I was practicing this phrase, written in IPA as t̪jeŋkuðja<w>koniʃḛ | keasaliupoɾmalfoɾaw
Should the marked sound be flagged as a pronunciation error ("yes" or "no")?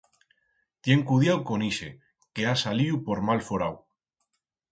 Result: no